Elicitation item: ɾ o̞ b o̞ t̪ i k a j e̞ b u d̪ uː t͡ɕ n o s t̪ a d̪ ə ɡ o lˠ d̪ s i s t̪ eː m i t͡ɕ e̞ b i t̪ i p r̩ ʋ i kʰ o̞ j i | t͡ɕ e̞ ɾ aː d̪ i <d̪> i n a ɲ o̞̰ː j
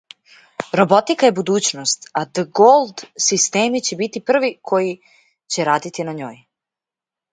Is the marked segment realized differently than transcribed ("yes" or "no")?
yes